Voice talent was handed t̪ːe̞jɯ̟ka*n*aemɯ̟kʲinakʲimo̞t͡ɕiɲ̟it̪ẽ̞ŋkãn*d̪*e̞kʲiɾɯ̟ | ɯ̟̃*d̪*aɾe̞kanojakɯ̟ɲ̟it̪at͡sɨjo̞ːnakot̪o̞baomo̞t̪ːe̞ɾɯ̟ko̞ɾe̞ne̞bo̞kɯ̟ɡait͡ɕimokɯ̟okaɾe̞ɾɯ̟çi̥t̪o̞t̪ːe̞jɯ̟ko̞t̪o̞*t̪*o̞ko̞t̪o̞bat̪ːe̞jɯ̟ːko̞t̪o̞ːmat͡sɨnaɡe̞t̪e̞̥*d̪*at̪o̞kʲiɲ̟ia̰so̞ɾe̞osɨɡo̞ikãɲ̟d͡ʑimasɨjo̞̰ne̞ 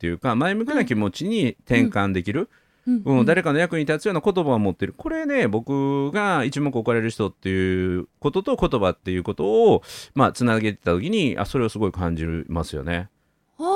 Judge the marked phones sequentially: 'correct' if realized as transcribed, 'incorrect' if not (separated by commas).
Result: incorrect, correct, correct, correct, incorrect